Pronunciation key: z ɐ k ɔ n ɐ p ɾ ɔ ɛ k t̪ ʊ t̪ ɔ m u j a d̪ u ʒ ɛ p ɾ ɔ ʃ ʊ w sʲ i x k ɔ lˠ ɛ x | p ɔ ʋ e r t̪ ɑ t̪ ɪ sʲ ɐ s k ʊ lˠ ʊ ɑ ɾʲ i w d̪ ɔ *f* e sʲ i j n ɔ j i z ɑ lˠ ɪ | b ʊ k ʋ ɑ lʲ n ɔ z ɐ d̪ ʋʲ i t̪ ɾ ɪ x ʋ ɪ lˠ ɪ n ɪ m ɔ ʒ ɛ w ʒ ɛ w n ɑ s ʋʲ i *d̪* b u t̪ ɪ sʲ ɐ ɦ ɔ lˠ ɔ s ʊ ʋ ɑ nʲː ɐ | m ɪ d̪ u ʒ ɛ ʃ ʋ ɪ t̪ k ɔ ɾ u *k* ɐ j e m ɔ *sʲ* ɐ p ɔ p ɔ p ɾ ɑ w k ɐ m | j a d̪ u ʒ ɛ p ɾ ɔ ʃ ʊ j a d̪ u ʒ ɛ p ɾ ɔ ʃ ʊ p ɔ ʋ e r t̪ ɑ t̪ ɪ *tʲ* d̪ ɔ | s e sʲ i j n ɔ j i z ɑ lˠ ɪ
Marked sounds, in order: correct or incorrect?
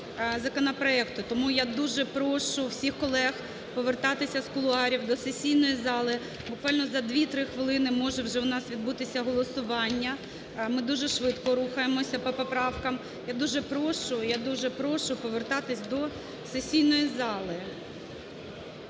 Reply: incorrect: s, correct, incorrect: x, correct, incorrect: sʲ

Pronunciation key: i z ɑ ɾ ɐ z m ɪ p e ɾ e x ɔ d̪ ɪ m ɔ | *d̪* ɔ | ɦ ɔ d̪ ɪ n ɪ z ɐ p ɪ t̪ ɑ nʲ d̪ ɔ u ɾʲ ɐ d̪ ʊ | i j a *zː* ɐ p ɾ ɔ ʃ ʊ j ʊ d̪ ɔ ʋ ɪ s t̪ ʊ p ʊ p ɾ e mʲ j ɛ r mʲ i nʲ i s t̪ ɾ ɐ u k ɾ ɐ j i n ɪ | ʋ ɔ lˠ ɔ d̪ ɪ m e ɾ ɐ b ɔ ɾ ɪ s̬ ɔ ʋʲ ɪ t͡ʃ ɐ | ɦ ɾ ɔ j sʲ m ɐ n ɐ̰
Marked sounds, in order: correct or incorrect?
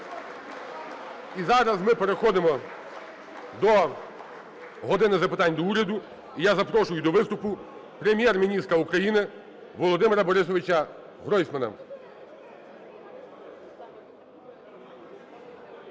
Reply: correct, incorrect: z

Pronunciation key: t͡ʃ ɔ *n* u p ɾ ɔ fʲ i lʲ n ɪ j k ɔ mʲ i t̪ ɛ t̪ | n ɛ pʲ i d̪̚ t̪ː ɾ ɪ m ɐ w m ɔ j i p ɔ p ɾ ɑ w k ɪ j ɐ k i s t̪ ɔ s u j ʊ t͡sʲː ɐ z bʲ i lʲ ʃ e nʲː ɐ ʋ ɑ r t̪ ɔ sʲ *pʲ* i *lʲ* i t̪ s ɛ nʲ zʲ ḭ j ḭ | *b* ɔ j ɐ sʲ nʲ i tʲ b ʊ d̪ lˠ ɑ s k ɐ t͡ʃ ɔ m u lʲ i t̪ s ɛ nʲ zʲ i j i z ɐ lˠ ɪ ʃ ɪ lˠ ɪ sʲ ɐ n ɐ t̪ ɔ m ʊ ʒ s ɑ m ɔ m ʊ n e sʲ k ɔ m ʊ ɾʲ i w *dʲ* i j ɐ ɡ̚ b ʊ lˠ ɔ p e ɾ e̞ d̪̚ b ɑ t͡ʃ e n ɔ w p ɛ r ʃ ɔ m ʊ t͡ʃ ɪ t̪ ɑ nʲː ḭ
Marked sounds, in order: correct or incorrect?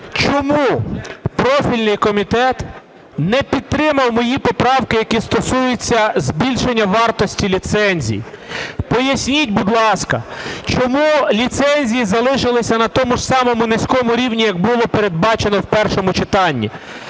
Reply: incorrect: m, incorrect: tʲ, correct, incorrect: p, incorrect: nʲ

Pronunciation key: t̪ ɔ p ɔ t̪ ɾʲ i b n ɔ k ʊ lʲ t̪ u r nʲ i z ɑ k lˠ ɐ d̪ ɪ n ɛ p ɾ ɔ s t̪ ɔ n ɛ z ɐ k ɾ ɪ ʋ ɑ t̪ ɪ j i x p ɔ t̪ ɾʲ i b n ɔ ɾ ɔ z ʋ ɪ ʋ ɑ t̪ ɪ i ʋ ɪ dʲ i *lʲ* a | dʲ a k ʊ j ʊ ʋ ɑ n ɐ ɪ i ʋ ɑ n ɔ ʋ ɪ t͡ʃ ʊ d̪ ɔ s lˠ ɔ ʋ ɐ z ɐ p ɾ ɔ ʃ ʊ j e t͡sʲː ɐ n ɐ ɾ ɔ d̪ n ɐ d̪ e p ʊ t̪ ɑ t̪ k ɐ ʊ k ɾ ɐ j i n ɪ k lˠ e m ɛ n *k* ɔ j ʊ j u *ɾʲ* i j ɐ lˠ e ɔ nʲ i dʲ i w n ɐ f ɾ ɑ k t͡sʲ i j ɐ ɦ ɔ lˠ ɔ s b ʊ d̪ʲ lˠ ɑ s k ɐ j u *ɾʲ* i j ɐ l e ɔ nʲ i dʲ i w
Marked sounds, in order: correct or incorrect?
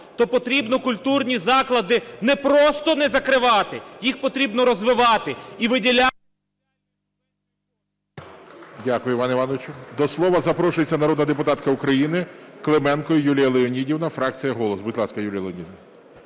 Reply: correct, correct, incorrect: lʲ, incorrect: lʲ

